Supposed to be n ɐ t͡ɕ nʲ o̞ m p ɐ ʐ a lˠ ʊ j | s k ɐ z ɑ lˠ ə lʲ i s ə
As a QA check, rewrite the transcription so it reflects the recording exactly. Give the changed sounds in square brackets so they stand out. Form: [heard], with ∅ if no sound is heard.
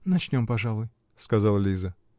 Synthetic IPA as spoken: n ɐ t͡ɕ nʲ o̞ m p ɐ ʐ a lˠ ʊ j | s k ɐ z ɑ lˠ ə lʲ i [z] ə